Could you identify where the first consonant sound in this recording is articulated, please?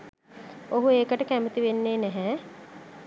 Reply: glottal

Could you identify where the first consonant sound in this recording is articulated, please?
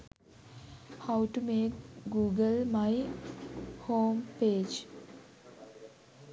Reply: glottal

